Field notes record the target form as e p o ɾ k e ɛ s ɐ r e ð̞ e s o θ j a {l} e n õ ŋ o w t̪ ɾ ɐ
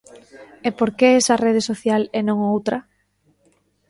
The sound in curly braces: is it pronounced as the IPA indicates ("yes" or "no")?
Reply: yes